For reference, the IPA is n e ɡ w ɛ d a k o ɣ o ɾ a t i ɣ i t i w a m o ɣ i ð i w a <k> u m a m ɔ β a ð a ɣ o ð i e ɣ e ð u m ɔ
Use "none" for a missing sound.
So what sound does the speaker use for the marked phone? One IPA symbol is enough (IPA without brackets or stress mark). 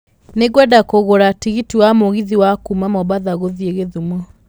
k